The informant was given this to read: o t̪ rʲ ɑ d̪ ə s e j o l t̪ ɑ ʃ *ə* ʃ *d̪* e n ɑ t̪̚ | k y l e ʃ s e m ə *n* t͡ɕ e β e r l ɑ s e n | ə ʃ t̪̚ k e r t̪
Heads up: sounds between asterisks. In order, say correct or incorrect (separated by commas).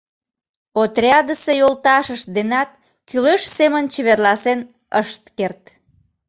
correct, correct, correct